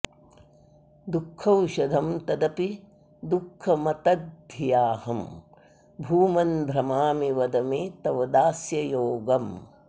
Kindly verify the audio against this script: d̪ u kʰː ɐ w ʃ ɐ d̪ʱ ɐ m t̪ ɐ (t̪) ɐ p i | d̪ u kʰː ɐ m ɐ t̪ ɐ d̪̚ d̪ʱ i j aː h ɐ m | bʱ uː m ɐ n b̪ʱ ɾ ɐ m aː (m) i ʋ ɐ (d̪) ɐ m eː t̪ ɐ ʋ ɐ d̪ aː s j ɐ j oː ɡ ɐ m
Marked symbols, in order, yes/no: no, yes, yes

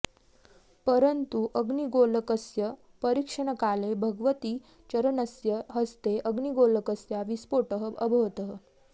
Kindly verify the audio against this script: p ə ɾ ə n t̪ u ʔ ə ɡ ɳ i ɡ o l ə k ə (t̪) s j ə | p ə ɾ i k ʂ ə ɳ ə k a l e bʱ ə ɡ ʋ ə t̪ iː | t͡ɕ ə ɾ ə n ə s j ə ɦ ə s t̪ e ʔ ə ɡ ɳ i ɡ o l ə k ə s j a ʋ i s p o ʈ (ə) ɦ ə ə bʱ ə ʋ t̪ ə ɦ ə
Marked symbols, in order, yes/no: no, yes

